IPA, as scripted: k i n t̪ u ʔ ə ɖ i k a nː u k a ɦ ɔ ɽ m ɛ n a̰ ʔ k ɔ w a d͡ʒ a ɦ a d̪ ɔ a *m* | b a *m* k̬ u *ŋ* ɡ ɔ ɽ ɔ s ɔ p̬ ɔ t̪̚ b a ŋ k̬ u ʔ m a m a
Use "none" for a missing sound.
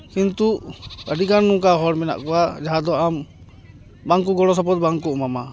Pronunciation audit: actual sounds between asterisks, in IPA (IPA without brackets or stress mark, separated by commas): m, ŋ, none